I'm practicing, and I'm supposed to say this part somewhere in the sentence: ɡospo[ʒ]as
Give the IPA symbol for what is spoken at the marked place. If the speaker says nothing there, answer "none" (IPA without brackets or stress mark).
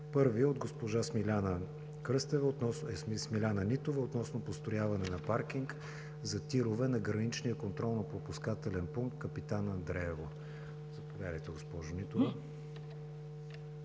ʒ